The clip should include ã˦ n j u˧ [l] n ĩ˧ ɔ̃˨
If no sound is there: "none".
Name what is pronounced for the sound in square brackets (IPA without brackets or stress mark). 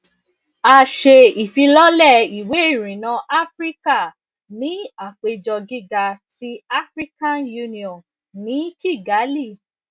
none